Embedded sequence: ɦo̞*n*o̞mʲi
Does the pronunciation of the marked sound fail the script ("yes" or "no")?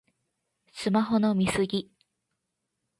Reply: no